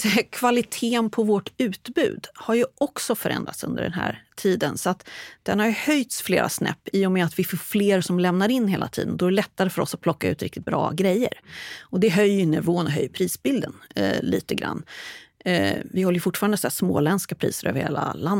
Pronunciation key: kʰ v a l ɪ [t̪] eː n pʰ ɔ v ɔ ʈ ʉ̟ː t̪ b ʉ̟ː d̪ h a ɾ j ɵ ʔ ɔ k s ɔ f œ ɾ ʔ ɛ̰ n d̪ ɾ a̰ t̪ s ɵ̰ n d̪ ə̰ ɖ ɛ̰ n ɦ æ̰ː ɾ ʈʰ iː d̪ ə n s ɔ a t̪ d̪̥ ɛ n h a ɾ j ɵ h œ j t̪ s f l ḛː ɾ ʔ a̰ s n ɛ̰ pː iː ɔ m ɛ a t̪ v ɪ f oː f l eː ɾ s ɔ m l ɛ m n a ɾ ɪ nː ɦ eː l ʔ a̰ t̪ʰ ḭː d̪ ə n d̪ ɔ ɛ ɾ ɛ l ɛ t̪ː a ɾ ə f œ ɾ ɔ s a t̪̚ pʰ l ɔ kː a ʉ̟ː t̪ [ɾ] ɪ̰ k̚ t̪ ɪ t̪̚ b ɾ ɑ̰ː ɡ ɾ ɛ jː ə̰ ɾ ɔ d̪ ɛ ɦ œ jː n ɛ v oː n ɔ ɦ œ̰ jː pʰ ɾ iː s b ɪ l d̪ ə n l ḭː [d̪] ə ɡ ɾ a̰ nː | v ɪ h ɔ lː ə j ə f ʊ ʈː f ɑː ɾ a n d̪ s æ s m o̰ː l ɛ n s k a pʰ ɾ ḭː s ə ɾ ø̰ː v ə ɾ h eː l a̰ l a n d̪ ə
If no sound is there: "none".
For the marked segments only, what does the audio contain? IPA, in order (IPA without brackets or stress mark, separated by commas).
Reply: t̪ʰ, ɾ, t̪